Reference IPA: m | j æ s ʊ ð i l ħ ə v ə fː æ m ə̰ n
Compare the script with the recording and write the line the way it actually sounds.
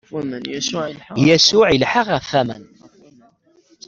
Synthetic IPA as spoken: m | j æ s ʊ ʕ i l ħ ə ʁ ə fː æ m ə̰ n